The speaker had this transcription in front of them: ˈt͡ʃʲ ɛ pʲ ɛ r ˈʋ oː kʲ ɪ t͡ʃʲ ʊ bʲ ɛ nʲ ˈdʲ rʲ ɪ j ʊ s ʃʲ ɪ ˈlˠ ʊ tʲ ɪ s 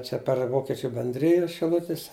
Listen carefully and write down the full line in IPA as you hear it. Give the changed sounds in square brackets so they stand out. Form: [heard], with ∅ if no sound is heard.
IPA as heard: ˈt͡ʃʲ ɛ pʲ ɛ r ˈʋ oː kʲ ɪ t͡ʃʲ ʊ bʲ ɛ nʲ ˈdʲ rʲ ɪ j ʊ s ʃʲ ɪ ˈlˠ ʊ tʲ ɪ s